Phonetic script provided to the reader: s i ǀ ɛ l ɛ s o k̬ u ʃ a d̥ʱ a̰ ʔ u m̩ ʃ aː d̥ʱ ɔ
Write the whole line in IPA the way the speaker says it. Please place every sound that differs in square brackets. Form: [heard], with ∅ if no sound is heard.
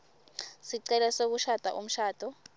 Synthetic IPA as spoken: s i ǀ ɛ l ɛ s o k̬ u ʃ a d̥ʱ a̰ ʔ u m̩ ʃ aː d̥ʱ ɔ